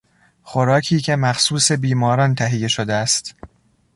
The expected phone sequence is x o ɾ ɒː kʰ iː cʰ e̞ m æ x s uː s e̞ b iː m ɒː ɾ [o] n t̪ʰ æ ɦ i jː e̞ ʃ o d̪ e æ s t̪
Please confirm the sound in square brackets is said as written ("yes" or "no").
no